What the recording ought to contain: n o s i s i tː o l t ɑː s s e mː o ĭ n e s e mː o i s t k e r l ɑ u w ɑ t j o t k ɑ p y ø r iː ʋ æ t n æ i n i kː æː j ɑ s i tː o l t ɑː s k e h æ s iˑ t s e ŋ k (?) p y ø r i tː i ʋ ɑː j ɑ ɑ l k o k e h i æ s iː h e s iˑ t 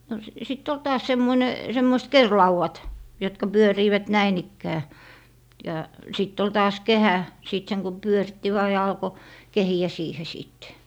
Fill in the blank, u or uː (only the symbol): u